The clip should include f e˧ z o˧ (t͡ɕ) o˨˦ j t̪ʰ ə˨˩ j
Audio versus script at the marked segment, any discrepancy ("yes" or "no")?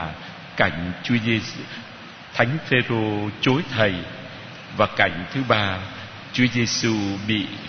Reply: no